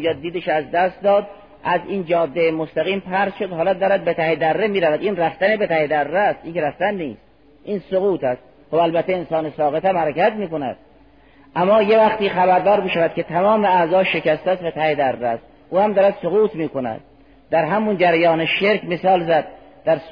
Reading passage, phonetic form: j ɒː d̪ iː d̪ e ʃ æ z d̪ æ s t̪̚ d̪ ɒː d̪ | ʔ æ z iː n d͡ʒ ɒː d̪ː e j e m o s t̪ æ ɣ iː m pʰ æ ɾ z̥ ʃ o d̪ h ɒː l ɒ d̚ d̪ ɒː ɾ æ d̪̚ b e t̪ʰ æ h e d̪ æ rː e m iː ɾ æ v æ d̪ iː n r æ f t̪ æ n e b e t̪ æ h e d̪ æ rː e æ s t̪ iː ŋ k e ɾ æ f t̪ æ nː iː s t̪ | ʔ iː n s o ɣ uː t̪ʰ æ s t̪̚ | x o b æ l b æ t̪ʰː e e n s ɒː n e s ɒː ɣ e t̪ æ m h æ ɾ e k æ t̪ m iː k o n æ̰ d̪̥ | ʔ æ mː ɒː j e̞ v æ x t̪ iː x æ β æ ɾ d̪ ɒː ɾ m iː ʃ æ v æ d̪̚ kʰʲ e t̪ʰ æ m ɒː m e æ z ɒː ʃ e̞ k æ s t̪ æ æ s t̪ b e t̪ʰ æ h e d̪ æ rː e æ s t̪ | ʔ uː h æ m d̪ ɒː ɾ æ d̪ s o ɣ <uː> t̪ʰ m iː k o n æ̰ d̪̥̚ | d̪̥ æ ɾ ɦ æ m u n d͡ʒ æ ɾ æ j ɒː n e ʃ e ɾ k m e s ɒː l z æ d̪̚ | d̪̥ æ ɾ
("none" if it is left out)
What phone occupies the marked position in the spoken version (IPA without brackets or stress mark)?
uː